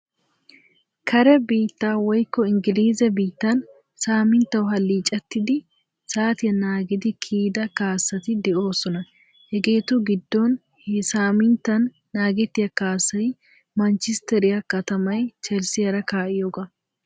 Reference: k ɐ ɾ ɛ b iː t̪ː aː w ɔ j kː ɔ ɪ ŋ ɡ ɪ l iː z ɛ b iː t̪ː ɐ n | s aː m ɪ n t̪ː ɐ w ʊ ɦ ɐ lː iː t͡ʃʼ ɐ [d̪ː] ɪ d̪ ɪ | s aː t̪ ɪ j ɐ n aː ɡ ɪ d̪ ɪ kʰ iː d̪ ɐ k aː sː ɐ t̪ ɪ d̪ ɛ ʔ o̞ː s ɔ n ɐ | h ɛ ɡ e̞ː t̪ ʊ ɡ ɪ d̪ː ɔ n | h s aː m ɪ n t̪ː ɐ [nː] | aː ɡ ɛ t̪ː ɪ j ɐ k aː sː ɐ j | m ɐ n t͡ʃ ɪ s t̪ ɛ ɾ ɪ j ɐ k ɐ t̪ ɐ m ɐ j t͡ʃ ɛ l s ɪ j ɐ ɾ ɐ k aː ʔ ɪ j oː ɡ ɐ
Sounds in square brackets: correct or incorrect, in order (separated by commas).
incorrect, correct